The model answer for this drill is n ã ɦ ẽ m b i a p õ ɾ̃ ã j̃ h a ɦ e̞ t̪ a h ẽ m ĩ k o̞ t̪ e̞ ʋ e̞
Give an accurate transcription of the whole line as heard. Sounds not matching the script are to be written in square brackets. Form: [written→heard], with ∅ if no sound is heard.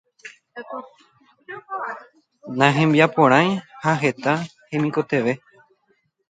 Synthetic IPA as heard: n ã ɦ ẽ m b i a p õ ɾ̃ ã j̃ h a ɦ e̞ t̪ a h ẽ m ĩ k o̞ t̪ e̞ ʋ e̞